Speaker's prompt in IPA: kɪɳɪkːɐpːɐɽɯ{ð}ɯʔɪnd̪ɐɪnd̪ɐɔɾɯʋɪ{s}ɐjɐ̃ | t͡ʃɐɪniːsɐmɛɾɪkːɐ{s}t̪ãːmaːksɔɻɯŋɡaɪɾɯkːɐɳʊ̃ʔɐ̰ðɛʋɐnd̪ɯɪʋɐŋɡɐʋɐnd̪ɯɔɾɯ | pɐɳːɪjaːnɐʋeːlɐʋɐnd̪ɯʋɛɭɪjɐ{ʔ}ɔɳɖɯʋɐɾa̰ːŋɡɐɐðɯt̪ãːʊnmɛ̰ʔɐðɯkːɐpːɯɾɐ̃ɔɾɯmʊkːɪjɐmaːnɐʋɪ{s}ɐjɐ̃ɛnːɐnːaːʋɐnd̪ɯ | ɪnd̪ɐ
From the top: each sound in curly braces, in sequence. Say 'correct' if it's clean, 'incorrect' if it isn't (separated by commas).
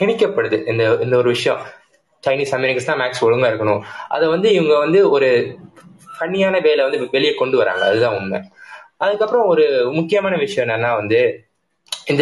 correct, incorrect, correct, incorrect, incorrect